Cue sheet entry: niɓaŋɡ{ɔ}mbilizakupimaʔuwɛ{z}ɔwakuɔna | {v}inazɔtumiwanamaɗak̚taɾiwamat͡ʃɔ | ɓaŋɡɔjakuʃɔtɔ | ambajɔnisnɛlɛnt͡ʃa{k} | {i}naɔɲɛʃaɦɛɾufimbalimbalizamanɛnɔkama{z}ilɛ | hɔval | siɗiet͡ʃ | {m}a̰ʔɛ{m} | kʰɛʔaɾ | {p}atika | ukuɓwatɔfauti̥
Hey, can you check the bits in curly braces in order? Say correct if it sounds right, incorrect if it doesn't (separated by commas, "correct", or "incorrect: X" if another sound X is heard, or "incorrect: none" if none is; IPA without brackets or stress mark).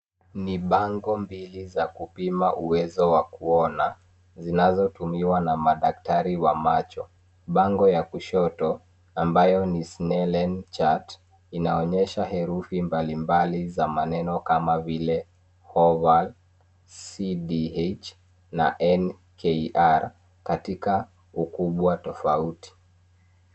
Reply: correct, correct, incorrect: z, incorrect: t, correct, incorrect: v, incorrect: n, incorrect: n, incorrect: k